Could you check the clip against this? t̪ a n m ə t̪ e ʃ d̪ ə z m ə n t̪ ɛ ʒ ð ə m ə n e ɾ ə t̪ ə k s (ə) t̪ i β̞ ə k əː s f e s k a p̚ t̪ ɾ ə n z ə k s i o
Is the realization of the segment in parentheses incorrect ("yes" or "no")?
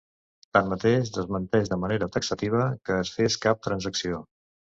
no